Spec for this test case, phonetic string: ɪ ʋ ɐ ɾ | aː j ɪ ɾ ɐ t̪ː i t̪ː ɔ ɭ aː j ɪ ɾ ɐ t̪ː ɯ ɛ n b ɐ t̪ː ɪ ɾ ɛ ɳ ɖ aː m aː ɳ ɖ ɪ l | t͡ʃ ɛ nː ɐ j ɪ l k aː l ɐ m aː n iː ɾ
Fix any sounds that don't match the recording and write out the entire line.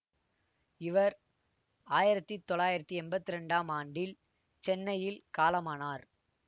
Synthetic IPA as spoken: ɪ ʋ ɐ ɾ | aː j ɪ ɾ ɐ t̪ː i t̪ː ɔ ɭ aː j ɪ ɾ ɐ t̪ː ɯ ɛ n b ɐ t̪ː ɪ ɾ ɛ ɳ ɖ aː m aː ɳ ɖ ɪ l | t͡ʃ ɛ nː ɐ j ɪ l k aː l ɐ m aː n aː ɾ